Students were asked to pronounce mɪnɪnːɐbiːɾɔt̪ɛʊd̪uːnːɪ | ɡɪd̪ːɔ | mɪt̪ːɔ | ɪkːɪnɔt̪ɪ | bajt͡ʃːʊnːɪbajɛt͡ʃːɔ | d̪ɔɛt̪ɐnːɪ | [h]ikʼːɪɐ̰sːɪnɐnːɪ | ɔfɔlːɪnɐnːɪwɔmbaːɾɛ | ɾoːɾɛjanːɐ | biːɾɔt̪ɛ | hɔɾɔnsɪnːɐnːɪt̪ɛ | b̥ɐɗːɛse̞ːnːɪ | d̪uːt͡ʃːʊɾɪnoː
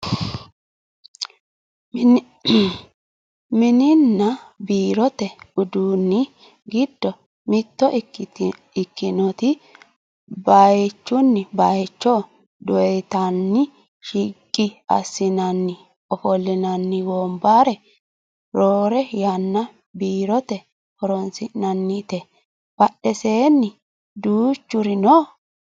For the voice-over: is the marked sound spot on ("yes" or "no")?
no